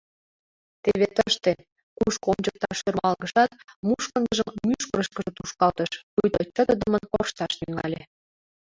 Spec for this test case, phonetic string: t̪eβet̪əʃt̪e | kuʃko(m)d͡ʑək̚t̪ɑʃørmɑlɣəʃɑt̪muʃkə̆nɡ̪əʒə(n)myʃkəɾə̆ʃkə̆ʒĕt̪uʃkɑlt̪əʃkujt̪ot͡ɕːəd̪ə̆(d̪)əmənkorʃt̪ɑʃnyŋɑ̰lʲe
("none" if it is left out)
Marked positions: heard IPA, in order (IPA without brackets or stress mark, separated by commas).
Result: m, m, d̪